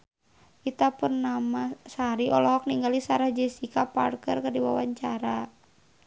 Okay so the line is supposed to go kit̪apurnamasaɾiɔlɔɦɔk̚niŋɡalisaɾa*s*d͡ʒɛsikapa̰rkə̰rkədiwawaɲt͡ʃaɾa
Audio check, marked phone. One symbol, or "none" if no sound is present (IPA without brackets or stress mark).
h